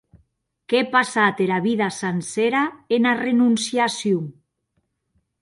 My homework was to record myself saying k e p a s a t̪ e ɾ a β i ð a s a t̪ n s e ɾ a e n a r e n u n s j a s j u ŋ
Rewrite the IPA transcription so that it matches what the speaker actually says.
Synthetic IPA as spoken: k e p a s a t̪ e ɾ a β i ð a s a n s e ɾ a e n a r e n u n s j a s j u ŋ